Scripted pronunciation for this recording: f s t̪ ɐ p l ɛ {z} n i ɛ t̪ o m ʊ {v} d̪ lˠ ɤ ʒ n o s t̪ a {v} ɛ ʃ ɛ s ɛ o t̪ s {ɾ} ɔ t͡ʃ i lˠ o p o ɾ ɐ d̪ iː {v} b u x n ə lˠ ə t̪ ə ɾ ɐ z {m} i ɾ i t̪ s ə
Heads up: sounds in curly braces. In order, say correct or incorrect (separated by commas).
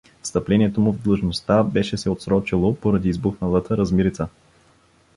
incorrect, correct, incorrect, correct, incorrect, correct